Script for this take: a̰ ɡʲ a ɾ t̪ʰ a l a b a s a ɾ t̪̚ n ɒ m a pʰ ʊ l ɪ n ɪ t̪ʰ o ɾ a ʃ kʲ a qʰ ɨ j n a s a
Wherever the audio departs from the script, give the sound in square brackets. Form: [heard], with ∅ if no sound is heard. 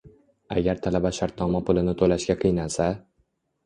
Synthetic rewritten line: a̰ ɡʲ a ɾ t̪ʰ a l a b a [ʃ] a ɾ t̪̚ n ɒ m a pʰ ʊ l ɪ n ɪ t̪ʰ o [l] a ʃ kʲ a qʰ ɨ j n a s a